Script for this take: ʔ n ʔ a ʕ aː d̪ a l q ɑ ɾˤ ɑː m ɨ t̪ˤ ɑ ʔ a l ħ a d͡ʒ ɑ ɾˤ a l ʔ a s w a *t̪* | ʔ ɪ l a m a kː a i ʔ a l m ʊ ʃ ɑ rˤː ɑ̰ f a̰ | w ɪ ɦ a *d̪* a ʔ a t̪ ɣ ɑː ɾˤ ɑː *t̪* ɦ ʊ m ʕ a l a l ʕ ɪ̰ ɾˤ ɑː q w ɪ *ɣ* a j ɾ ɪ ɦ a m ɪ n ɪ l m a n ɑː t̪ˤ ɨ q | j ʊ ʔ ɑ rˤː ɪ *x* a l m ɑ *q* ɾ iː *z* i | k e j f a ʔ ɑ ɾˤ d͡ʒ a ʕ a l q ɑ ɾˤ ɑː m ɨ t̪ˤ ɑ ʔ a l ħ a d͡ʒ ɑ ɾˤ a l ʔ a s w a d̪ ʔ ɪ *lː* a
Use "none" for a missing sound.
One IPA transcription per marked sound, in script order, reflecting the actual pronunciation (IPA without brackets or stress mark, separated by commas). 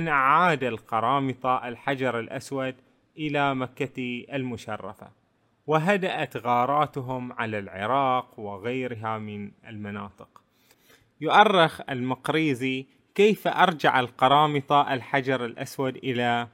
d̪, d̪, t̪, ɣ, x, q, z, l